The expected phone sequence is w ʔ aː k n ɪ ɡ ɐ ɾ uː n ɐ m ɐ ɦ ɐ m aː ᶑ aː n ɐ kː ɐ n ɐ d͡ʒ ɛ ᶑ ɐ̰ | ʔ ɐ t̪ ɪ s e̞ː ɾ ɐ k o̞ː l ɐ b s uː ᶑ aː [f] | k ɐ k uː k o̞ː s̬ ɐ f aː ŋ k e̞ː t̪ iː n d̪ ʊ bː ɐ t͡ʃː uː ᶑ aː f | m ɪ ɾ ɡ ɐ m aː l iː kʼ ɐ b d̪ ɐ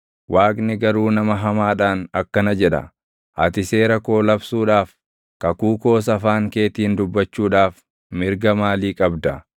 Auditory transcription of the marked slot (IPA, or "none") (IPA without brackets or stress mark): f